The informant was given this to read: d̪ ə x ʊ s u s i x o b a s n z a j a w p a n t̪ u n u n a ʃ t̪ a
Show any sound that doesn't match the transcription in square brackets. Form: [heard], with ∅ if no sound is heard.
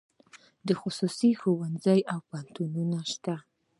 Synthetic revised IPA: d̪ ə x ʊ s u s i x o [w] a [∅] n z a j a w p a n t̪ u n u n a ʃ t̪ a